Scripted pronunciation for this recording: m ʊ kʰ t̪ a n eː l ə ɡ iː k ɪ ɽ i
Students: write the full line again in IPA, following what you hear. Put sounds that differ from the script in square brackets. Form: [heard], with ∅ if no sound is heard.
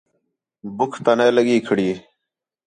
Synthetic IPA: [b] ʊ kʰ t̪ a n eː l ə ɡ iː [kʰ] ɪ ɽ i